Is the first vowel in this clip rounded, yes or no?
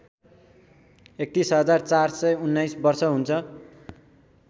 no